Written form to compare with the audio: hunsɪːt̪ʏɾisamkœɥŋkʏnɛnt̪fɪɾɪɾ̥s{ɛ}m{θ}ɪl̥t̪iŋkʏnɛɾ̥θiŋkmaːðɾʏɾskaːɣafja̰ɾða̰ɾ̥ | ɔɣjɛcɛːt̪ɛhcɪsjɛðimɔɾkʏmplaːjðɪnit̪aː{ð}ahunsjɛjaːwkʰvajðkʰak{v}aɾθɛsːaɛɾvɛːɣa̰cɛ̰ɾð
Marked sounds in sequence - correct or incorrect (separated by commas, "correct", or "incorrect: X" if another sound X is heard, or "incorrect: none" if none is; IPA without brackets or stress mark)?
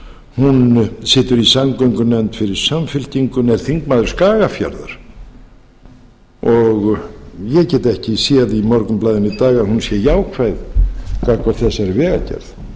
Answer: incorrect: a, incorrect: f, incorrect: ɣ, correct